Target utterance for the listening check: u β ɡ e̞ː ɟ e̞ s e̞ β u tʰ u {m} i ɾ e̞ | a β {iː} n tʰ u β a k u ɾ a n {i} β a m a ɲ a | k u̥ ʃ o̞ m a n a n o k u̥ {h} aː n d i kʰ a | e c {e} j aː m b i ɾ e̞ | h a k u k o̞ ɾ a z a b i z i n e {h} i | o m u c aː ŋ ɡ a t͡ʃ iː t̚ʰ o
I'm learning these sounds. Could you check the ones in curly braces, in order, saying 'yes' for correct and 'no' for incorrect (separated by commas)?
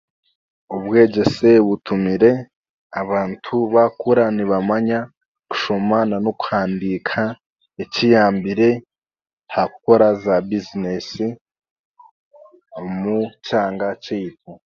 yes, no, yes, yes, no, no